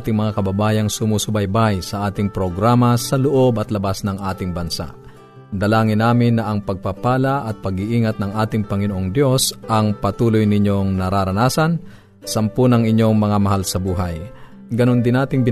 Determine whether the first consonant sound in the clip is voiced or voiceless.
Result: voiceless